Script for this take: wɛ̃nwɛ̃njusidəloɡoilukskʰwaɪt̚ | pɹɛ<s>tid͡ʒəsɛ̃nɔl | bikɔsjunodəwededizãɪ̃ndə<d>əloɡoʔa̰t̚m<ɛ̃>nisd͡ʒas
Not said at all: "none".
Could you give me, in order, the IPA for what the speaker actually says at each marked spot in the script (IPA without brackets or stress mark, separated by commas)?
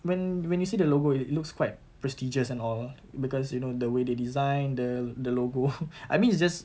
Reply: s, d, ĩ